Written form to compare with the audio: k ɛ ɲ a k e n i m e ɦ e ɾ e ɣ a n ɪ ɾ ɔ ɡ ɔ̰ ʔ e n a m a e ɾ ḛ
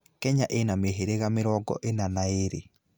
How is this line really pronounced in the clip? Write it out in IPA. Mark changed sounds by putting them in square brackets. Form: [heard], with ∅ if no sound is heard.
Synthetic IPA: k ɛ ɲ a [ʔ] e n [a] m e ɦ e ɾ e ɣ a [m] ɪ ɾ ɔ ɡ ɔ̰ ʔ e n a [n] a e ɾ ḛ

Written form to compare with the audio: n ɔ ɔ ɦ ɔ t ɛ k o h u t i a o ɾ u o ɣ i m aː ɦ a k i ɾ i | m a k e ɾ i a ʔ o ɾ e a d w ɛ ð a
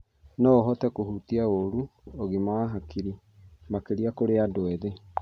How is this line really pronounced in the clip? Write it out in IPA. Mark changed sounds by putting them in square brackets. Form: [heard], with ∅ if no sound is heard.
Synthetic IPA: n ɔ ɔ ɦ ɔ t ɛ k o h u t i a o ɾ u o ɣ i m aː ɦ a k i ɾ i | m a k e ɾ i a [k] o ɾ e a d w ɛ ð [e]

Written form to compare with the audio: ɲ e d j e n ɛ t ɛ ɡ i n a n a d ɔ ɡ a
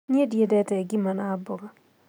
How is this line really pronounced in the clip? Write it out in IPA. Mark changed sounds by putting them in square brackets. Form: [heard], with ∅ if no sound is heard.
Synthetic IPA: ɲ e d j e [d] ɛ t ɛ ɡ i [m] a n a [b] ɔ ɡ a

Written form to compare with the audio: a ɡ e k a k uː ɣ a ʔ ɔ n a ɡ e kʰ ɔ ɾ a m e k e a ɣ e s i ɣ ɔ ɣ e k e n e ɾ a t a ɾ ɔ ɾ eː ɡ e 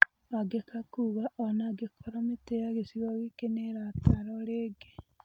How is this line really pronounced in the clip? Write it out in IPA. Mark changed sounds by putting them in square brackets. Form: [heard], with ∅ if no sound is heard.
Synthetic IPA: a ɡ e k a k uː ɣ a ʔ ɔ n a ɡ e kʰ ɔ ɾ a m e [t] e a ɣ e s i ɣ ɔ ɣ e k e n e ɾ a t a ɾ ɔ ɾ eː ɡ e

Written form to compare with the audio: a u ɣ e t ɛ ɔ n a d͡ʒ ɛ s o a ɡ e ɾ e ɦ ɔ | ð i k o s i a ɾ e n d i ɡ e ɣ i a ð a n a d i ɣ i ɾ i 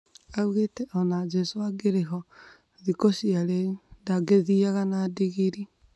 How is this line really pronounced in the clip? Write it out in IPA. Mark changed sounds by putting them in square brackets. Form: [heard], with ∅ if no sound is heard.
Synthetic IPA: a u ɣ e t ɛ ɔ n a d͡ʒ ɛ s o a ɡ e ɾ e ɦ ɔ | ð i k o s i a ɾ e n d [a] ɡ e [ð] i a [ɣ] a n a d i ɣ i ɾ i

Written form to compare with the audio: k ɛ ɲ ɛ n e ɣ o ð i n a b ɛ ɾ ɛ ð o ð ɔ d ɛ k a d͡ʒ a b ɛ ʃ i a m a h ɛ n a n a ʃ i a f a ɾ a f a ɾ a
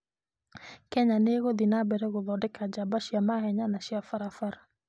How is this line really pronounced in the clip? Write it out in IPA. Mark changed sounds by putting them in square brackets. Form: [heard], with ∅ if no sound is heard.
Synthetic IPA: k ɛ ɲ [a] n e ɣ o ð i n a b ɛ ɾ ɛ [ɣ] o ð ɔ d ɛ k a d͡ʒ a b [a] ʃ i a m a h ɛ [ɲ] a n a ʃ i a f a ɾ a f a ɾ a

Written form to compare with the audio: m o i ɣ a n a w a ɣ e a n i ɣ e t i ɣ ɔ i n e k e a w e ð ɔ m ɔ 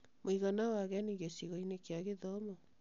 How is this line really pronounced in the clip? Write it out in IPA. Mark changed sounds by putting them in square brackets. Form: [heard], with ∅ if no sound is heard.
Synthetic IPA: m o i ɣ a n a w a ɣ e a n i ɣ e [s] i ɣ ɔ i n e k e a [ɣ] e ð ɔ m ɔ

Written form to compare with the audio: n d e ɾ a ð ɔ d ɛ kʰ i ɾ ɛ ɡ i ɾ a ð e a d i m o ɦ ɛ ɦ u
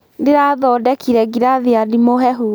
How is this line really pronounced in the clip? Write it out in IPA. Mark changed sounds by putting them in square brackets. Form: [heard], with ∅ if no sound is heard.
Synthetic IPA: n d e ɾ a ð ɔ d ɛ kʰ i ɾ ɛ ɡ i ɾ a ð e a d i m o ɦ ɛ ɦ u

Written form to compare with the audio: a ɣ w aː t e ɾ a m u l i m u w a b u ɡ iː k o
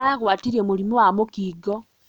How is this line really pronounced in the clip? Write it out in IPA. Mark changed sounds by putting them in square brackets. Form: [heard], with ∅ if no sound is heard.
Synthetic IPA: a ɣ w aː t [i] ɾ [e] m u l i m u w a [m] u [k] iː [ɡ] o

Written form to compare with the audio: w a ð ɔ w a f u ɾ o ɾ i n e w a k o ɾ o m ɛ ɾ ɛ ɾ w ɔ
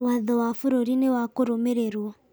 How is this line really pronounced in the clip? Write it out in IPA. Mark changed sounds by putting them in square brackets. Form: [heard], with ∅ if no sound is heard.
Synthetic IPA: w a ð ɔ w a f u ɾ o ɾ i n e w a k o ɾ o m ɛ ɾ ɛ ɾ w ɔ

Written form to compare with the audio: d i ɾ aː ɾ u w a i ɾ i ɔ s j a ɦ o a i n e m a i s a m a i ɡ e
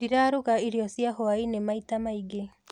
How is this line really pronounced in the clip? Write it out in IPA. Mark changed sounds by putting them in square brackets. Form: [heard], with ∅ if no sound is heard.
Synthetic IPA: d i ɾ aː ɾ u [ɣ] a i ɾ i ɔ s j a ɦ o a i n e m a i [t] a m a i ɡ e

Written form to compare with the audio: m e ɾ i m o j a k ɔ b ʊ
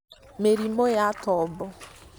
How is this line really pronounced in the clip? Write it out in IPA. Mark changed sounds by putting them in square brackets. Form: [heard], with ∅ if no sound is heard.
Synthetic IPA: m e ɾ i m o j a [t] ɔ b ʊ

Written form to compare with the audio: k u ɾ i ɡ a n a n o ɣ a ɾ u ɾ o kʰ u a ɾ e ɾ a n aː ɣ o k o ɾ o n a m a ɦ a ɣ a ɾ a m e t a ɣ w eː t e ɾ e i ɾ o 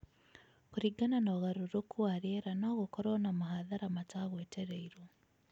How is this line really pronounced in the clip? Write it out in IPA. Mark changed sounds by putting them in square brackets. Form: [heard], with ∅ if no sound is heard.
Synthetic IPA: k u ɾ i ɡ a n a n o ɣ a ɾ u ɾ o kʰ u a ɾ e ɾ a n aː ɣ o k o ɾ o n a m a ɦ a [ð] a ɾ a m [a] t a ɣ w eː t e ɾ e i ɾ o

